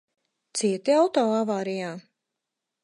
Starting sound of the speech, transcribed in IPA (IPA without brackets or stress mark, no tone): t̪